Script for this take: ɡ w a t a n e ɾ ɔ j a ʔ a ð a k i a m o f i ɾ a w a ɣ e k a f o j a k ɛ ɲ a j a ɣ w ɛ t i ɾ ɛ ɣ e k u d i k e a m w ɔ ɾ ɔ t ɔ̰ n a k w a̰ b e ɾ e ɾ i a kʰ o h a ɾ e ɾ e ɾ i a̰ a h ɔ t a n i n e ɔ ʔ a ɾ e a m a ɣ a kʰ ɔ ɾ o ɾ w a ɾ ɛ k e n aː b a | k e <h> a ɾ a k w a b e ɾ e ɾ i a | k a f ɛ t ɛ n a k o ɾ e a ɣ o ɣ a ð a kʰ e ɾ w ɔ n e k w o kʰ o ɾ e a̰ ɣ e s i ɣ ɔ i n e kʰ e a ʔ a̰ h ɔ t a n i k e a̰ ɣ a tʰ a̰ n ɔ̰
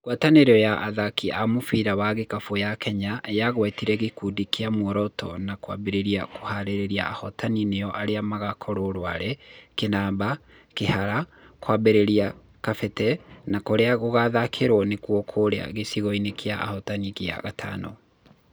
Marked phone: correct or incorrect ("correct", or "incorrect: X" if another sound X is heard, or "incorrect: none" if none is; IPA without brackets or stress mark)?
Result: correct